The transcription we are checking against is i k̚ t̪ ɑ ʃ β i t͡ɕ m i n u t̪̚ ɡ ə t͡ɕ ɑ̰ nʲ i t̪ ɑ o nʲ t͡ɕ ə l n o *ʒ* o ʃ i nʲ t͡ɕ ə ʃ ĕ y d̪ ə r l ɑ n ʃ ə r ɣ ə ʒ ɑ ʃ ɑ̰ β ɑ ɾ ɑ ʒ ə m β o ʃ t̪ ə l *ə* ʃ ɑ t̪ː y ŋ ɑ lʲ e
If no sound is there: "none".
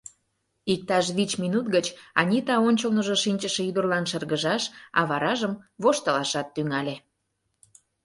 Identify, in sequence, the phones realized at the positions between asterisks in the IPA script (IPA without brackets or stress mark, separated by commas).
ʒ, ɑ